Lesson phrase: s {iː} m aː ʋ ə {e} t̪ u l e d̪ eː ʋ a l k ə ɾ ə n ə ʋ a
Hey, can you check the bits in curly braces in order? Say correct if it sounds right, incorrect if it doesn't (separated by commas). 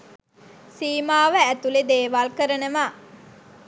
correct, incorrect